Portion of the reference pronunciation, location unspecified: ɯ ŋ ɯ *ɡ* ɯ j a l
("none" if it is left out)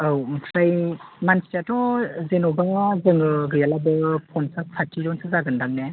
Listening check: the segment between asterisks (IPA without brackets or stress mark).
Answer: ɡ